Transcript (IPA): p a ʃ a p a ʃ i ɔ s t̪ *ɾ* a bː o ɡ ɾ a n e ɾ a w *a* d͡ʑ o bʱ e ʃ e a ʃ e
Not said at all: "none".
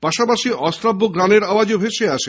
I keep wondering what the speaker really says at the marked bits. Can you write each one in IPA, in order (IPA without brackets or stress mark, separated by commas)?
ɾ, a